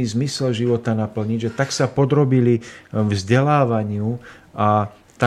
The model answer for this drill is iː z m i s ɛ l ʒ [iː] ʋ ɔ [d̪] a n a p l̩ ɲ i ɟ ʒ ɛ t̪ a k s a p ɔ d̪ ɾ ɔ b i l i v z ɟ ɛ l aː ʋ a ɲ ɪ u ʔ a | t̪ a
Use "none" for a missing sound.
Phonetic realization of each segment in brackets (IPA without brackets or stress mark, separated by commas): i, t̪